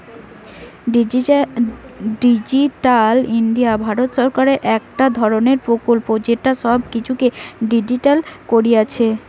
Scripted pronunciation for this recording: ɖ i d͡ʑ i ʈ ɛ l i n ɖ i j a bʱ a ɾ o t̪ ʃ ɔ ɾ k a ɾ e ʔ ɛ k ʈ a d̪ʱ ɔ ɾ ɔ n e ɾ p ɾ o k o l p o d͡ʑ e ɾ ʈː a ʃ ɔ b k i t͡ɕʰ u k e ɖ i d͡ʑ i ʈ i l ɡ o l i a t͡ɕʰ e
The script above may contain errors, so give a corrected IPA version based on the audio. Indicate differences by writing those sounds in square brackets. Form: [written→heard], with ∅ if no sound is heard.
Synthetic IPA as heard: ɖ i d͡ʑ i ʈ [ɛ→a] l i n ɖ i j a bʱ a ɾ o t̪ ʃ ɔ ɾ k a ɾ e ʔ ɛ k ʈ a d̪ʱ ɔ ɾ [ɔ→o] n e ɾ p ɾ o k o l p o d͡ʑ e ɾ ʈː a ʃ ɔ b k i t͡ɕʰ u k e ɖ i d͡ʑ i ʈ [i→a] l [ɡ→k] o [l→ɾ] i a t͡ɕʰ e